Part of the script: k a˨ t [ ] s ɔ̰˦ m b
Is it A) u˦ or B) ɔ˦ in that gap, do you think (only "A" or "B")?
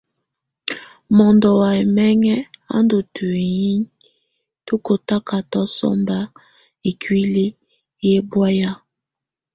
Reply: B